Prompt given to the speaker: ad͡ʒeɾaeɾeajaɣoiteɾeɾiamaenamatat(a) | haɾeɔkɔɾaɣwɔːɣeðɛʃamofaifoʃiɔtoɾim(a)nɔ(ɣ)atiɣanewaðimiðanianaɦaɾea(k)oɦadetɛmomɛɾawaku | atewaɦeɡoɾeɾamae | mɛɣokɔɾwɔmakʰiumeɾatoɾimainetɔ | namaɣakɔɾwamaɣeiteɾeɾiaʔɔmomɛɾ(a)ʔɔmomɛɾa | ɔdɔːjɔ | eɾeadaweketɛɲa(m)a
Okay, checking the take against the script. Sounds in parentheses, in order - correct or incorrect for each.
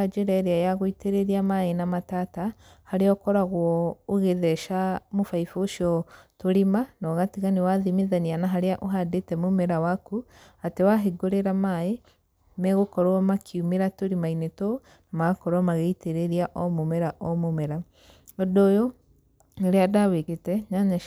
correct, correct, correct, incorrect, correct, incorrect

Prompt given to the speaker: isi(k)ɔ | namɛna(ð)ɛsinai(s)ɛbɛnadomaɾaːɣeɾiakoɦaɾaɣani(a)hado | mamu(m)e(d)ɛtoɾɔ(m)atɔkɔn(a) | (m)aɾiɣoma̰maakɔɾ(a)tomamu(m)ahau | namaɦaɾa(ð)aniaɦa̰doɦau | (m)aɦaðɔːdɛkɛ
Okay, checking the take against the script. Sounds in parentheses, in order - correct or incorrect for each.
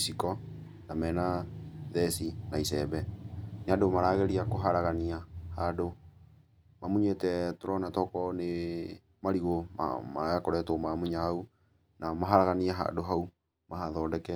correct, correct, correct, correct, incorrect, incorrect, incorrect, incorrect, correct, incorrect, incorrect, incorrect, correct

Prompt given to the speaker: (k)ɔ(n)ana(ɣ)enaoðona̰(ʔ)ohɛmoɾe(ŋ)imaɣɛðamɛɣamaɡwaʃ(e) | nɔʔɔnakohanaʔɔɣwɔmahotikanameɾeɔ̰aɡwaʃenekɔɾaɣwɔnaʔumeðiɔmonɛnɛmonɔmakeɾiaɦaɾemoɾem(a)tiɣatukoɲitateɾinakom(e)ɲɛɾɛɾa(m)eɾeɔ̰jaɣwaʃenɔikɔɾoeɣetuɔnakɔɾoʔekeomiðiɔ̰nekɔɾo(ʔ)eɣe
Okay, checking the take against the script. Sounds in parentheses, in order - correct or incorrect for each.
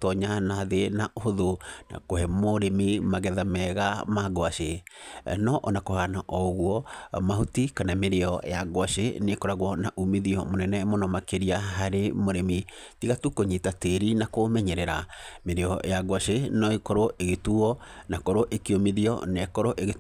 incorrect, incorrect, incorrect, incorrect, incorrect, correct, incorrect, incorrect, correct, correct

